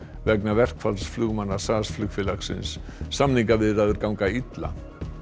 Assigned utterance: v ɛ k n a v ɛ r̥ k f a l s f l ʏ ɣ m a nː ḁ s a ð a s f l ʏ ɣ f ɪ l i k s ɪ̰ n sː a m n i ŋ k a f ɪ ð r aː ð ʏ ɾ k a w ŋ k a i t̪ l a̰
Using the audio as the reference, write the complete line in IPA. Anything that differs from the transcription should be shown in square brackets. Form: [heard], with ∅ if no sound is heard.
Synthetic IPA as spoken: v ɛ k n a v ɛ r̥ k f a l s f l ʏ ɣ m a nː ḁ s a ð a s f l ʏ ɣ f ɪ l [a] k s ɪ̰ n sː a m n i ŋ k a [v] ɪ ð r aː ð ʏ ɾ k a w ŋ k a i t̪ l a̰